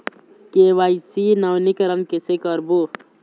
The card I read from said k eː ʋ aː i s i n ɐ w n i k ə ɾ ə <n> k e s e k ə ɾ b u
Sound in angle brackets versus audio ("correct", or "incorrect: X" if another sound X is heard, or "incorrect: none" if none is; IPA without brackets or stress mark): correct